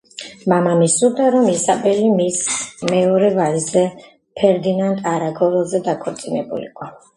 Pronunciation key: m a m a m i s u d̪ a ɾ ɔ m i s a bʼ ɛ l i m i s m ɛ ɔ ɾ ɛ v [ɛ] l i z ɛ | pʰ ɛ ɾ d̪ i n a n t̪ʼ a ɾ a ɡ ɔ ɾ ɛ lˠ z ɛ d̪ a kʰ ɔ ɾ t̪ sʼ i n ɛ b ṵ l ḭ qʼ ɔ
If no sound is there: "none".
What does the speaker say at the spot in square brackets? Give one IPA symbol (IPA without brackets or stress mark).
a